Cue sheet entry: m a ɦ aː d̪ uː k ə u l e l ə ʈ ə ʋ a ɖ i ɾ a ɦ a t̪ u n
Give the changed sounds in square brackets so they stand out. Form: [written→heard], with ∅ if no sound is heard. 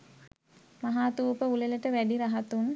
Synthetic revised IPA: m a ɦ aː [d̪→t̪] uː [k→p] ə u l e l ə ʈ ə ʋ [a→æ] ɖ i ɾ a ɦ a t̪ u n